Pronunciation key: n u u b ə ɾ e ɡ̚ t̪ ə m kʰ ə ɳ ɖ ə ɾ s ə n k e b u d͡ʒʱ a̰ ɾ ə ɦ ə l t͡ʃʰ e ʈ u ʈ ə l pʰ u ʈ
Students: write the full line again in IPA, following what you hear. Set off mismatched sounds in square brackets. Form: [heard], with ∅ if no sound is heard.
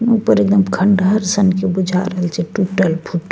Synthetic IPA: n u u [p] ə ɾ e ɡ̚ [d̪] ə m kʰ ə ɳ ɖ ə ɾ s ə n k e b u d͡ʒʱ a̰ ɾ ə ɦ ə l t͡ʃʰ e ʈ u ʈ ə l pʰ u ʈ